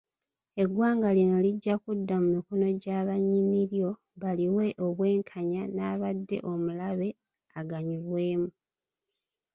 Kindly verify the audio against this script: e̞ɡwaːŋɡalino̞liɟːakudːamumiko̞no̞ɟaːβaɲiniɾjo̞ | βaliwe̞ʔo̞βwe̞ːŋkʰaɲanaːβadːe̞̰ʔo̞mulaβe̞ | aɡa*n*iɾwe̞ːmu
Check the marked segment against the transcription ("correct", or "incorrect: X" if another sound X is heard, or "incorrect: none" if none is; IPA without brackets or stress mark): incorrect: ɲ